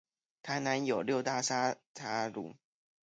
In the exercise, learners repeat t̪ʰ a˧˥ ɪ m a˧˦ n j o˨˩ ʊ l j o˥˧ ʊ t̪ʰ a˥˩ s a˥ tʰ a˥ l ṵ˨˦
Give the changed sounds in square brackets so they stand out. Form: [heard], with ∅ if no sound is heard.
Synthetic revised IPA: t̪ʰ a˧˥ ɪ [n] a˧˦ n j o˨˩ ʊ l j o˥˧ ʊ [t̪] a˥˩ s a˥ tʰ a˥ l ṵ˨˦